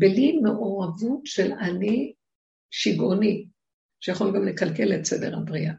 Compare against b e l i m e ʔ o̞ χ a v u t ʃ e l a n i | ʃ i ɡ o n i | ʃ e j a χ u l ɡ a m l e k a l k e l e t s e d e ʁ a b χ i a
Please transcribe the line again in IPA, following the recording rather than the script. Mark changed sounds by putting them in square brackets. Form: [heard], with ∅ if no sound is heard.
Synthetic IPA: b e l i m e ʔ o̞ [ʁ] a v u t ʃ e l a n i | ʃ i ɡ o n i | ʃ e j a χ [o] l ɡ a m l e k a l k e l e t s e d e ʁ a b [ʁ] i a